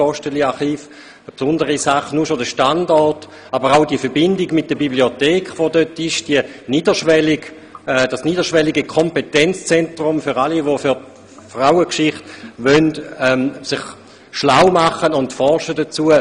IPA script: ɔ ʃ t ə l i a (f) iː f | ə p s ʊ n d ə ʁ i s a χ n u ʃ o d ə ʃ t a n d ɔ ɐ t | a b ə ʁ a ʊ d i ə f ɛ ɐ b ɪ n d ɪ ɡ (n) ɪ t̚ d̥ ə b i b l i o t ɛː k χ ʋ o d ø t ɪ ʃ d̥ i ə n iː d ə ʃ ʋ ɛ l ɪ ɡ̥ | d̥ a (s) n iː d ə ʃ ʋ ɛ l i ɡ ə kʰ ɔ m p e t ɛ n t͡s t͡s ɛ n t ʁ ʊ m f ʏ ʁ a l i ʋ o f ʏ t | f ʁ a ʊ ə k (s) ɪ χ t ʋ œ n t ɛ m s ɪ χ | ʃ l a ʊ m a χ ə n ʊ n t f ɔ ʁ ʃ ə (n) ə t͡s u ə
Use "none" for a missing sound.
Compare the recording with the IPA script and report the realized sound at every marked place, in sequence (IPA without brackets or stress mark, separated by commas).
χ, m, s, ʃ, d